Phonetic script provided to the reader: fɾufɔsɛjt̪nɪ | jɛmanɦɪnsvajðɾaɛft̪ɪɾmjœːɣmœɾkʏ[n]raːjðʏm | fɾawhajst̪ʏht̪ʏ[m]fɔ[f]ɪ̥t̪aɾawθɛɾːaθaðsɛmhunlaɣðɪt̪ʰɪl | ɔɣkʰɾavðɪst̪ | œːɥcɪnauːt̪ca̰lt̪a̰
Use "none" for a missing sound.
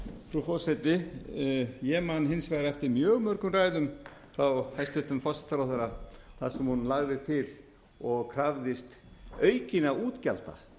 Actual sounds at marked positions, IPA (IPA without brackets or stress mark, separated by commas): m, m, s